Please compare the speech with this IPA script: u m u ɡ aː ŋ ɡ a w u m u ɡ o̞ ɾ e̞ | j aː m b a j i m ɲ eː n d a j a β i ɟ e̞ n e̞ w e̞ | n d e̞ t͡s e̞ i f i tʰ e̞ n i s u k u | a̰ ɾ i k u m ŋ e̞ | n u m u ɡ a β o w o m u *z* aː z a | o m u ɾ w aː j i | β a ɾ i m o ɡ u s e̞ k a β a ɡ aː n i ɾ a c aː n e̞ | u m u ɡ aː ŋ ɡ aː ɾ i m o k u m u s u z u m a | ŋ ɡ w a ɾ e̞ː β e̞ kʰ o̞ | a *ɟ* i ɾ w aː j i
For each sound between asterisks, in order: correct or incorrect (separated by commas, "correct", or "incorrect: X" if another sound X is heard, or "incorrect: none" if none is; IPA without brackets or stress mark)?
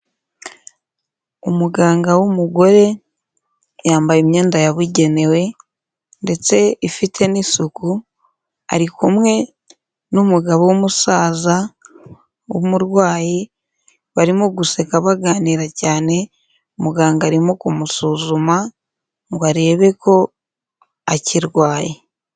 incorrect: s, incorrect: c